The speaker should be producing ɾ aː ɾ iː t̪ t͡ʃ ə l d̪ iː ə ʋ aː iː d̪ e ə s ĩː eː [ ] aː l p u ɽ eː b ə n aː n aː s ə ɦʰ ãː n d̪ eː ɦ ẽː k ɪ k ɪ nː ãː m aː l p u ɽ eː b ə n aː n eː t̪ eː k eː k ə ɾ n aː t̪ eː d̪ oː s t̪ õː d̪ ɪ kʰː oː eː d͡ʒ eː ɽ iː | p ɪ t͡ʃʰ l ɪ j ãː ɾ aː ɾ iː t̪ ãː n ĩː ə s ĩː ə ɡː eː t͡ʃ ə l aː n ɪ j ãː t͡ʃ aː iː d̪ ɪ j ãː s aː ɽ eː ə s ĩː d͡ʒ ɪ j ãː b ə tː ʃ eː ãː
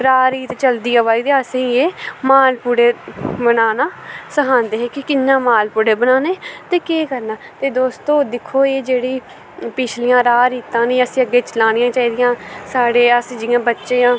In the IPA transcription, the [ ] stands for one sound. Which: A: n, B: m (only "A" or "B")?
B